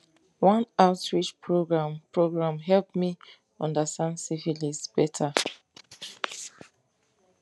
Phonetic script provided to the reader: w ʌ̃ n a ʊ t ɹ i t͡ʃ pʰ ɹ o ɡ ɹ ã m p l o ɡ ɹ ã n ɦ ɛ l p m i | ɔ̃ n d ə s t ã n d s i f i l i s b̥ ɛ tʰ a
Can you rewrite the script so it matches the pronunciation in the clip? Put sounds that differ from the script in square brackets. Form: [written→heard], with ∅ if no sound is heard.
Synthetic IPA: w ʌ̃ n a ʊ t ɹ i t͡ʃ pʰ ɹ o ɡ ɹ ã m p [l→ɹ] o ɡ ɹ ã [n→m] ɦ ɛ l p m i | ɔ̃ n d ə s t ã n d s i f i l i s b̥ ɛ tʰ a